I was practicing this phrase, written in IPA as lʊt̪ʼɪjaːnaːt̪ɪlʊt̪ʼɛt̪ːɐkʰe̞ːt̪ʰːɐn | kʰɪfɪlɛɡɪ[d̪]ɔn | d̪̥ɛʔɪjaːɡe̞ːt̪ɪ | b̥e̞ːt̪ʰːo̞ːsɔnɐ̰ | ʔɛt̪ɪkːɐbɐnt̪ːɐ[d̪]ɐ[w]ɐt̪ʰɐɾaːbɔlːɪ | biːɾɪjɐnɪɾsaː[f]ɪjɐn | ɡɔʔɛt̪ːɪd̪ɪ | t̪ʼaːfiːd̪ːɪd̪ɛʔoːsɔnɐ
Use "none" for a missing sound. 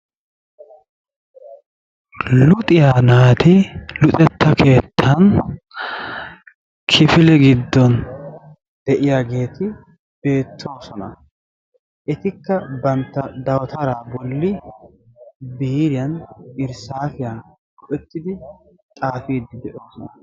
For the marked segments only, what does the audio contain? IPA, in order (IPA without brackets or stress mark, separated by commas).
d̪ː, d̪, w, f